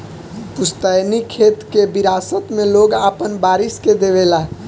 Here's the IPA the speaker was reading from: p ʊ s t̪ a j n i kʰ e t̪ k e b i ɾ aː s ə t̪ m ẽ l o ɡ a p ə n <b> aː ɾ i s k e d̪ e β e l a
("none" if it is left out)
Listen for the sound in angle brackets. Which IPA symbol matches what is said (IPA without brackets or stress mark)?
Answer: b